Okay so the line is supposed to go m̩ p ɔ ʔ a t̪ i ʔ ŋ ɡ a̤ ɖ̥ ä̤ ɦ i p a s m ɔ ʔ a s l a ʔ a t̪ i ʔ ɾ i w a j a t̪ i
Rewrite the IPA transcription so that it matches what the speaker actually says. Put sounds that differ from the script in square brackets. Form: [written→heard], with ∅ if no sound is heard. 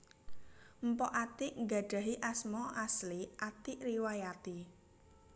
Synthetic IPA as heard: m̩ p ɔ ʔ a t̪ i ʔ ŋ ɡ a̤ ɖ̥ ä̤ ɦ i [p→ʔ] a s m ɔ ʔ a s l [a→i] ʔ a t̪ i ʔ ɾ i w a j a t̪ i